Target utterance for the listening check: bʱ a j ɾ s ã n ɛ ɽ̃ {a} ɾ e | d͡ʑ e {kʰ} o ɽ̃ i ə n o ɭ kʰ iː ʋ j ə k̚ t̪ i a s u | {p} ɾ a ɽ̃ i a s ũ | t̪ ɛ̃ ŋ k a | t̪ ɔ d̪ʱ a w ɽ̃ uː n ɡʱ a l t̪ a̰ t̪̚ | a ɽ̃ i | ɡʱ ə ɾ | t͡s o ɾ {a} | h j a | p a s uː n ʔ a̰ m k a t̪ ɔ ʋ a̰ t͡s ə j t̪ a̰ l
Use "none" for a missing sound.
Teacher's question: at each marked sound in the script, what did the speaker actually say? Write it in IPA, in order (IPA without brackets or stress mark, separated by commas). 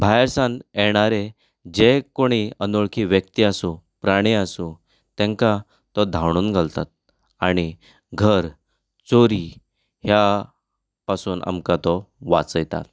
a, k, p, i